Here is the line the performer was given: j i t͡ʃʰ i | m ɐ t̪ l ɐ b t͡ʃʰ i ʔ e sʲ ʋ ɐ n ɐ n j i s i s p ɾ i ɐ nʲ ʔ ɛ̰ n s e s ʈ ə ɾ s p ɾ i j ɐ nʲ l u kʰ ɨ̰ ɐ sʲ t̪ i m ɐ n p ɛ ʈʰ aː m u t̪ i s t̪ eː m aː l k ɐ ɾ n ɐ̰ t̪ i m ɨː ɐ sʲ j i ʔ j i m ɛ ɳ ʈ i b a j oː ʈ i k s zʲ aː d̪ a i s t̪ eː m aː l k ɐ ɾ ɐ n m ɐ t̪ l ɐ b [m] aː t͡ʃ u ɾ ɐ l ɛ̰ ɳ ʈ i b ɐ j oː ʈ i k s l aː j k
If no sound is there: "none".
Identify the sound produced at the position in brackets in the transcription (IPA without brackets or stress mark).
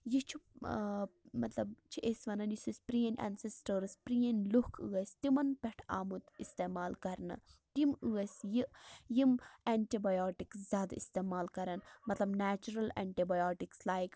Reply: n